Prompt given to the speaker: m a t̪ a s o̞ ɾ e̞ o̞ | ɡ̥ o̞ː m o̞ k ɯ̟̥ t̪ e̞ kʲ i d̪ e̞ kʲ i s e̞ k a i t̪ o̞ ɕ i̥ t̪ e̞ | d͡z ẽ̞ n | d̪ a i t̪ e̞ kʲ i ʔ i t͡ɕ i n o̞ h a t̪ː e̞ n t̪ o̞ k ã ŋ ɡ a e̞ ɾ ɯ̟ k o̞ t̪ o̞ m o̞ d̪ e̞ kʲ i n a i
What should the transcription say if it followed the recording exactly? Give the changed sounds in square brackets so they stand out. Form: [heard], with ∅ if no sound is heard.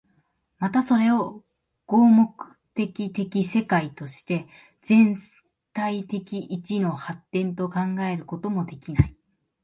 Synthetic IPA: m a t̪ a s o̞ ɾ e̞ o̞ | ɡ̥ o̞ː m o̞ k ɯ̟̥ t̪ e̞ kʲ i [t̪] e̞ kʲ i s e̞ k a i t̪ o̞ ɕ i̥ t̪ e̞ | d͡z ẽ̞ n | [t̪] a i t̪ e̞ kʲ i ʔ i t͡ɕ i n o̞ h a t̪ː [ẽ̞] n t̪ o̞ k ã ŋ ɡ a e̞ ɾ ɯ̟ k o̞ t̪ o̞ m o̞ d̪ e̞ kʲ i n a i